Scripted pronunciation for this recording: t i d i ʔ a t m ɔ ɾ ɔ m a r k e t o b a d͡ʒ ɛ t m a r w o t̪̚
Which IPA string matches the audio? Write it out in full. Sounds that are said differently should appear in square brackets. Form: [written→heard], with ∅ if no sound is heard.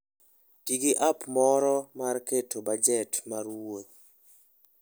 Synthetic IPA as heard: t i [d→ɡ] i ʔ a [t→p] m ɔ ɾ ɔ m a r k e t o b a d͡ʒ ɛ t m a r w o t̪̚